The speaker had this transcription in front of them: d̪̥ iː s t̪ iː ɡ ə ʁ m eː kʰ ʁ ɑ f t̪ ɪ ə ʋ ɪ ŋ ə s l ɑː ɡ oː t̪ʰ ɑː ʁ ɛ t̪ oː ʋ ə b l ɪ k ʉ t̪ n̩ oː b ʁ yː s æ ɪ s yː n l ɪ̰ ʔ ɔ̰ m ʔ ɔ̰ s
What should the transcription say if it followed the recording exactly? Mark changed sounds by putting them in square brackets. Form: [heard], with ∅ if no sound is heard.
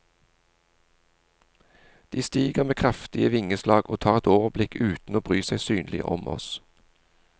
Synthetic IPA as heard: d̪̥ iː s t̪ iː ɡ ə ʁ m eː kʰ ʁ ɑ f t̪ ɪ ə ʋ ɪ ŋ ə s l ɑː ɡ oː t̪ʰ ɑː ʁ ɛ t̪ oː ʋ ə b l ɪ k [ʉː] t̪ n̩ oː b ʁ yː s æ ɪ s yː n l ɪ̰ ʔ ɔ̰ m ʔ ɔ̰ s